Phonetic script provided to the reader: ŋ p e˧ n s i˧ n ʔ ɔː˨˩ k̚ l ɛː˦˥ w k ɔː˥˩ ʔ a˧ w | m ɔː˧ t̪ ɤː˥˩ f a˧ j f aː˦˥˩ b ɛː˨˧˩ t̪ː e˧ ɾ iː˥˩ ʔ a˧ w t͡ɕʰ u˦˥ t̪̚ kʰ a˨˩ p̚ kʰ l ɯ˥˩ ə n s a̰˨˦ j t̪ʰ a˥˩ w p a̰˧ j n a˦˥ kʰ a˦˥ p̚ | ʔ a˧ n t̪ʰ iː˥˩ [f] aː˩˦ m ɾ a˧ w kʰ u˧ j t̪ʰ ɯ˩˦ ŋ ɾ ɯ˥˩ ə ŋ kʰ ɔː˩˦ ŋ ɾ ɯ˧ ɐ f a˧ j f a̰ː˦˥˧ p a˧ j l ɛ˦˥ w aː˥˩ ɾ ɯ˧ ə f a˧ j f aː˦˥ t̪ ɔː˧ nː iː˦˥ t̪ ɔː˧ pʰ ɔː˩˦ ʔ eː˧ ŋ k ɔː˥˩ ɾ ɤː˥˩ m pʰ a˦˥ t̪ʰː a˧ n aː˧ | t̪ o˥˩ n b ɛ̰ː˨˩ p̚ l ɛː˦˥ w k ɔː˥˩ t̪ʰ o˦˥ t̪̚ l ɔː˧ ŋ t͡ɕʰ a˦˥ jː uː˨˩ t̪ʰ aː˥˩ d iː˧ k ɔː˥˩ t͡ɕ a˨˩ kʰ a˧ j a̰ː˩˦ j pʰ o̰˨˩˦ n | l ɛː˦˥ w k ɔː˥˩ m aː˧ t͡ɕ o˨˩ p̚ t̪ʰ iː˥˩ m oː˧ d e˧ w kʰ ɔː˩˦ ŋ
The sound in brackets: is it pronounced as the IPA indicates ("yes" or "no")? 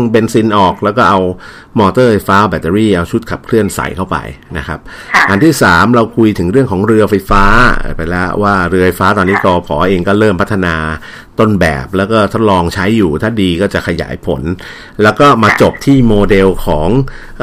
no